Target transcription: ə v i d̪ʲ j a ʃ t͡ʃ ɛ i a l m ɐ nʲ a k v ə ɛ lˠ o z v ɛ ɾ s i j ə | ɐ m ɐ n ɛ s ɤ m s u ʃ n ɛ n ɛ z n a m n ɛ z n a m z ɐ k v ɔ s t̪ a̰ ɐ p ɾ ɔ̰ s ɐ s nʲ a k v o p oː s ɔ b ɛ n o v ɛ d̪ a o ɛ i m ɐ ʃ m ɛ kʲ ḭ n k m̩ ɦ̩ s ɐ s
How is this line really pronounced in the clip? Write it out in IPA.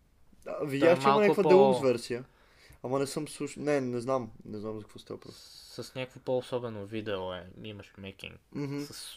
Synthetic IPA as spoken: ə v i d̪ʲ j a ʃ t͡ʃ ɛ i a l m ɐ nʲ a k v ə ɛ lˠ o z v ɛ ɾ s i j ə | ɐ m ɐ n ɛ s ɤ m s u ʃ n ɛ n ɛ z n a m n ɛ z n a m z ɐ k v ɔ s t̪ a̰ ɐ p ɾ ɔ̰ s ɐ s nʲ a k v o p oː s ɔ b ɛ n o v i d̪ ɛ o ɛ i m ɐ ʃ m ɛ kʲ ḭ ŋ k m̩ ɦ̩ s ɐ s